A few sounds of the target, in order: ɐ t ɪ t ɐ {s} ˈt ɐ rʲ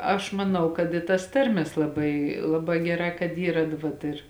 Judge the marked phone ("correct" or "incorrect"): correct